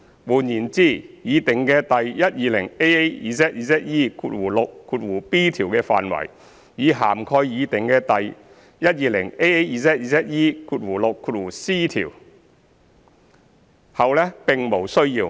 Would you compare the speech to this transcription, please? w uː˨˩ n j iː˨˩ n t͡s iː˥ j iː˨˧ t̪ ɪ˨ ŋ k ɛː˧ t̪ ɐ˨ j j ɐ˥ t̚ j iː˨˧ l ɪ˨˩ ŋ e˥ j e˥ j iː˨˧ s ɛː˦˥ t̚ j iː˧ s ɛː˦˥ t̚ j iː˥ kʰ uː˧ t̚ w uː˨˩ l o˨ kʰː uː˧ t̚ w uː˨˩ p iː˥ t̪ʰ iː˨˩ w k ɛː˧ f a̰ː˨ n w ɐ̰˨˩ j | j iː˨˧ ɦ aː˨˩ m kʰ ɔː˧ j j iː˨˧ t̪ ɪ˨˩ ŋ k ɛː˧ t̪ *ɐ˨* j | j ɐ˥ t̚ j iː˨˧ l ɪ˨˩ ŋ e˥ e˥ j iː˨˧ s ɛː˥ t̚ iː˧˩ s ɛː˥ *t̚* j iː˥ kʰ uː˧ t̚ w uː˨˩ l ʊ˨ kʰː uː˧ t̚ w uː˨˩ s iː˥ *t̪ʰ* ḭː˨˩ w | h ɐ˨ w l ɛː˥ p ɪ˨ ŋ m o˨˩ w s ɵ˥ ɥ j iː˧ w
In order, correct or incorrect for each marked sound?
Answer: correct, correct, correct

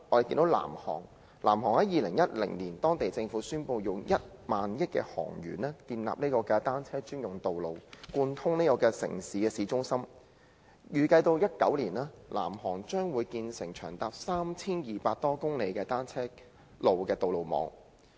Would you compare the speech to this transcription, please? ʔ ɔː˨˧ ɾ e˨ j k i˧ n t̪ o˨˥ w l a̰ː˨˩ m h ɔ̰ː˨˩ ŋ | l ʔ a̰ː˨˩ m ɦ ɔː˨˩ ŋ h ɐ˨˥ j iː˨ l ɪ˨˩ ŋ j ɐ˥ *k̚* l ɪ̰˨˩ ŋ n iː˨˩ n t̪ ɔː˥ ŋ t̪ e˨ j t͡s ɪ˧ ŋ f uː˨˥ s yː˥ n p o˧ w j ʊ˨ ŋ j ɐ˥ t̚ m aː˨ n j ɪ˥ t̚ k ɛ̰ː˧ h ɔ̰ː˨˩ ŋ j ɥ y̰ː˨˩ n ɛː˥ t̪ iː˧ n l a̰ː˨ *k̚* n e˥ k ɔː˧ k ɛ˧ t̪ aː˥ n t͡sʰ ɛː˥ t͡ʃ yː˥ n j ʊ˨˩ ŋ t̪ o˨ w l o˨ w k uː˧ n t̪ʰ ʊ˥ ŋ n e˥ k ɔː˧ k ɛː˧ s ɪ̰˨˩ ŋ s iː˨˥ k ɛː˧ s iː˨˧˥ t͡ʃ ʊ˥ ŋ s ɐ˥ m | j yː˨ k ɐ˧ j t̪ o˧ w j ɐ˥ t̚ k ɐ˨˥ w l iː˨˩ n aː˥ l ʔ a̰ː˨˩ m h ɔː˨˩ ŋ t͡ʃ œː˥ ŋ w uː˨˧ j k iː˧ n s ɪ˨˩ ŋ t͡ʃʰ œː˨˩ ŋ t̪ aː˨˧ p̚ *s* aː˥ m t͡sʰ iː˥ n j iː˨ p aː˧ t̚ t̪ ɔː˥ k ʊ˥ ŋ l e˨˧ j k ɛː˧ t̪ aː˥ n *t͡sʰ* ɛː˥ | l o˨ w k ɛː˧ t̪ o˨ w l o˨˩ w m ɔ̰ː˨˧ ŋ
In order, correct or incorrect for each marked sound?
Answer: incorrect: t̚, incorrect: p̚, correct, correct

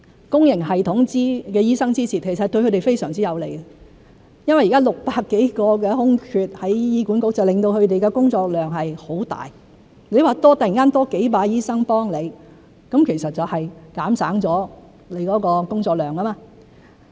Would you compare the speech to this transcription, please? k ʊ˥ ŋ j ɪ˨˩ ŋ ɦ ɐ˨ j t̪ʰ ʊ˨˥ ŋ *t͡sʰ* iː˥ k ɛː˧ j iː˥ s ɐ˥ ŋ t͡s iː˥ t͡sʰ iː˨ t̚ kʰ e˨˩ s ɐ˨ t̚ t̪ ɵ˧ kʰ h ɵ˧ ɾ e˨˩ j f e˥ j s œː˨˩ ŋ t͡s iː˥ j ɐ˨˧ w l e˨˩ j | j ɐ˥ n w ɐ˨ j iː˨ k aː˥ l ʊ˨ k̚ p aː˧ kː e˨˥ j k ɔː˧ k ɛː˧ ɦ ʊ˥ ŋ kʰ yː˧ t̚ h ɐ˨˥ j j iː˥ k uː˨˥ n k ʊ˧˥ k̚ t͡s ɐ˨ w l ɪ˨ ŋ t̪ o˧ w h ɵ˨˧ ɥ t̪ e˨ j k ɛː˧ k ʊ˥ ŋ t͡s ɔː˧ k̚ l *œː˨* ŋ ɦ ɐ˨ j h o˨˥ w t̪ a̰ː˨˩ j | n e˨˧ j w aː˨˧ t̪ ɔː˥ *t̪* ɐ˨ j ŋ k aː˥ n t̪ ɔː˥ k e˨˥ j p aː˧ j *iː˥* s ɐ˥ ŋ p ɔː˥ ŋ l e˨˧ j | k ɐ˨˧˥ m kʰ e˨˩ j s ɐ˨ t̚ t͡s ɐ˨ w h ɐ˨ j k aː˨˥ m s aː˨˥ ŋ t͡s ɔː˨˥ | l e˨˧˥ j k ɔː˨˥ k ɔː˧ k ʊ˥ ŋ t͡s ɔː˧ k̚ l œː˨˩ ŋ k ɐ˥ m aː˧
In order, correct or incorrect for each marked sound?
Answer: incorrect: t͡s, correct, correct, correct

